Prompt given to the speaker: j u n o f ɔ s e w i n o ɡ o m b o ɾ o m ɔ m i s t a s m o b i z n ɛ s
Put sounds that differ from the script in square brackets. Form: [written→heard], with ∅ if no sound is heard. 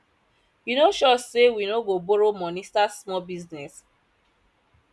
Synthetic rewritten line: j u n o [f→ʃ] ɔ s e w i n o ɡ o [m→∅] b o ɾ o m ɔ [m→n] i s t a s m [o→ɔ] b i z n ɛ s